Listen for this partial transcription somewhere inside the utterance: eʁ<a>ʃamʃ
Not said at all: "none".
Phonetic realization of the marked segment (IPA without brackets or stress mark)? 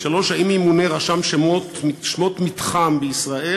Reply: a